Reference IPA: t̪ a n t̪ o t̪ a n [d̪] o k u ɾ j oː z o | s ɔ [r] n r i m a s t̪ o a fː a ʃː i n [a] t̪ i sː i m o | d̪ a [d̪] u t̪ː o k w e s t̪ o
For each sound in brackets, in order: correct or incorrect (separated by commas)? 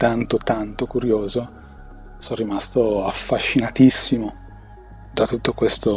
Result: incorrect, incorrect, correct, incorrect